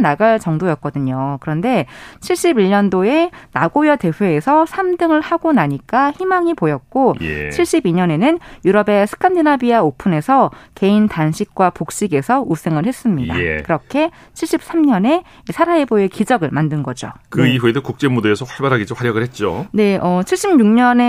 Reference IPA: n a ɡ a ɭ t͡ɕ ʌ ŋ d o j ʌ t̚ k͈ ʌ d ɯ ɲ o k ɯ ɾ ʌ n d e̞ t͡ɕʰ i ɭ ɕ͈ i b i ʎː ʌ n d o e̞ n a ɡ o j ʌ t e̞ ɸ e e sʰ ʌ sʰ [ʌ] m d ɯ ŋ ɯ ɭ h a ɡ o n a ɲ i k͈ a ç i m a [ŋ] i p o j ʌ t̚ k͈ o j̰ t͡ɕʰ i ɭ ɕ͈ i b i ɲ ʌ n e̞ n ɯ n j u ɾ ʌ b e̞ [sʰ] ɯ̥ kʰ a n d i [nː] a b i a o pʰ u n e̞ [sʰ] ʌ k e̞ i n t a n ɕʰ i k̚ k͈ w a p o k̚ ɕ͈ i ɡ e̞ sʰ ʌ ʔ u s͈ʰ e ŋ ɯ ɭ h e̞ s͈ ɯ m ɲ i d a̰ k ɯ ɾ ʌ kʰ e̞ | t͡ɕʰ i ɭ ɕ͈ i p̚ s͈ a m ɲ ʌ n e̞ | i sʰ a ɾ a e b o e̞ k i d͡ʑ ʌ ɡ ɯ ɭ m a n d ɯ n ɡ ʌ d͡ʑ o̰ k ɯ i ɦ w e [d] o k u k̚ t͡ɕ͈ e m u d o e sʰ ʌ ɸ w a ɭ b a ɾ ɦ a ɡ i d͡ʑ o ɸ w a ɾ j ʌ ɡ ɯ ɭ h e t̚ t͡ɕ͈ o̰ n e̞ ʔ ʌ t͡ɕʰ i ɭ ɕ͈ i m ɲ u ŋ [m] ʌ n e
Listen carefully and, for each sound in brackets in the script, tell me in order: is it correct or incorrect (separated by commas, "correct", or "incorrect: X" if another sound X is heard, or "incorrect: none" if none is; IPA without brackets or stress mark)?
incorrect: a, correct, correct, incorrect: n, correct, correct, incorrect: ɲ